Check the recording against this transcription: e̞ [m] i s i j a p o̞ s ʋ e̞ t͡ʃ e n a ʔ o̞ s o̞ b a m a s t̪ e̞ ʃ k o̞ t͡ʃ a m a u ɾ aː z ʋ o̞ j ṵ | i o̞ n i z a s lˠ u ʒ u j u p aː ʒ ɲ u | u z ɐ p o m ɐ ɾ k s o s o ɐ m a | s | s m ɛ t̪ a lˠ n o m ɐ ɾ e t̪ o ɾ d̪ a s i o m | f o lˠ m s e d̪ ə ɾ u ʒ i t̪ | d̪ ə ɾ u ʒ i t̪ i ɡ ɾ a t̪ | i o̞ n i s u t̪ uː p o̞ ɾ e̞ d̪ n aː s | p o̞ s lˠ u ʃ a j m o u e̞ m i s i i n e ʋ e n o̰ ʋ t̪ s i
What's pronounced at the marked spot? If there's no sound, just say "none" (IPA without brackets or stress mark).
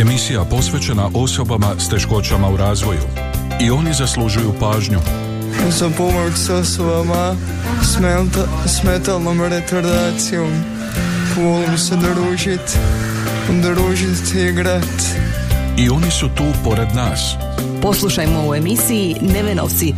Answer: m